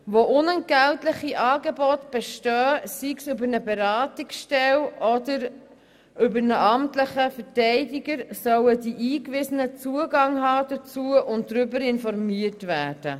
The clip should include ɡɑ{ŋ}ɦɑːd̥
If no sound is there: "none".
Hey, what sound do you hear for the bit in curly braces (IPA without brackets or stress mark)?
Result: ŋ